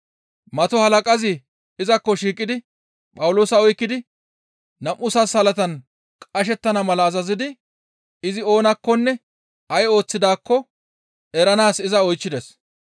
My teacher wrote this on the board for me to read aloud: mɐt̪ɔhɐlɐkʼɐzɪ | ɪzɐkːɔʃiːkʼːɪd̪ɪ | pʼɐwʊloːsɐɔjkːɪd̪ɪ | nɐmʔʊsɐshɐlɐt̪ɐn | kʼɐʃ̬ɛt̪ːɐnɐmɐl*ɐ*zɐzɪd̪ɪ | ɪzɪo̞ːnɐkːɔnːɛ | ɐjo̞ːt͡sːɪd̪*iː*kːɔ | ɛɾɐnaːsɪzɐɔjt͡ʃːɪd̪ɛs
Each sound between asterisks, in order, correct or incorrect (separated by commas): incorrect, incorrect